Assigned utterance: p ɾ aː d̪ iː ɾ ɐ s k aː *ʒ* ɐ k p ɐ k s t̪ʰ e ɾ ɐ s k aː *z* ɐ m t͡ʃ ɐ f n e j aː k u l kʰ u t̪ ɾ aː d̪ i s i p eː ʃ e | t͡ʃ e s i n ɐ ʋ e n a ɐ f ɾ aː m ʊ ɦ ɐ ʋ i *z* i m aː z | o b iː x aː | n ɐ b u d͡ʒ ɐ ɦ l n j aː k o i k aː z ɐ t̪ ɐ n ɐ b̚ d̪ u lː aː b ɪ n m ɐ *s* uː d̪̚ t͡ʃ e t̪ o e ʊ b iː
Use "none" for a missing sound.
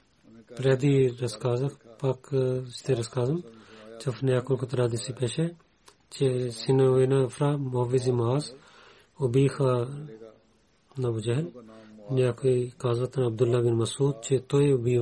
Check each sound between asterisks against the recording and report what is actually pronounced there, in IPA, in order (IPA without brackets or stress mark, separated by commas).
z, z, z, s